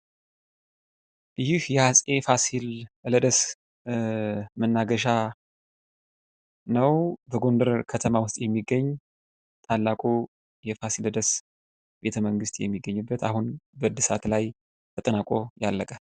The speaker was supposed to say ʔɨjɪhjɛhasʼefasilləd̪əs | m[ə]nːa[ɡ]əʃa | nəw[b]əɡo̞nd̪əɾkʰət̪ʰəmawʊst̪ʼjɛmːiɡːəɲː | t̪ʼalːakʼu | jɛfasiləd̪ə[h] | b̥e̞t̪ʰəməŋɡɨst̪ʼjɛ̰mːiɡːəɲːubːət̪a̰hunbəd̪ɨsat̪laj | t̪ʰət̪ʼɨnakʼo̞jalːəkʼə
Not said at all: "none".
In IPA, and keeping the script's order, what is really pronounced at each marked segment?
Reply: ə, ɡ, b, s

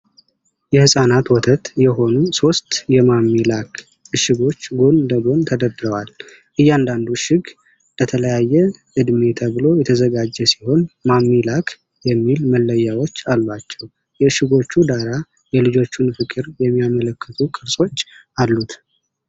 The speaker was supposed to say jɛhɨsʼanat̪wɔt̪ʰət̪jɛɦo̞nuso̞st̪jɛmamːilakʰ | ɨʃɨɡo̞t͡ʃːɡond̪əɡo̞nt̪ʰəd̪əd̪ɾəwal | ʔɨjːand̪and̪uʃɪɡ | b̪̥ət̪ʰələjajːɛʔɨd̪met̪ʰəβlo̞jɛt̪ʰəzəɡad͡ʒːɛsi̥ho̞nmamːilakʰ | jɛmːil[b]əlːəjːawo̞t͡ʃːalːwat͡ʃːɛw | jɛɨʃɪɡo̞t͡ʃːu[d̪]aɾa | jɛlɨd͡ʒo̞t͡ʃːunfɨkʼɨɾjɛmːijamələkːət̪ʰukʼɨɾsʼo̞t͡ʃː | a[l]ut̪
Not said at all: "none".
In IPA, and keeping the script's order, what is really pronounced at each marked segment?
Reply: m, d̪, lː

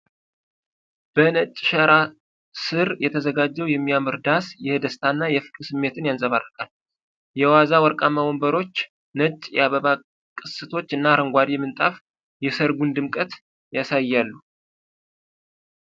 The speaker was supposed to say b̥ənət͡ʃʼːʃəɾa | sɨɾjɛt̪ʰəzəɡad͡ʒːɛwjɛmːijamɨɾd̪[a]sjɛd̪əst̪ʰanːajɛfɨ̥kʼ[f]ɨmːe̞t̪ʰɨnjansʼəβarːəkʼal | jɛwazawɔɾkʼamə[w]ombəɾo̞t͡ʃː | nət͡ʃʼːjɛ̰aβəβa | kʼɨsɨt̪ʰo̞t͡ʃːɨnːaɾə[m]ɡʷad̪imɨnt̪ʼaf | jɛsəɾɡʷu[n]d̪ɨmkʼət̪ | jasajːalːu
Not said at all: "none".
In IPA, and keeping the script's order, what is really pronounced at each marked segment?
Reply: a, s, w, ŋ, n

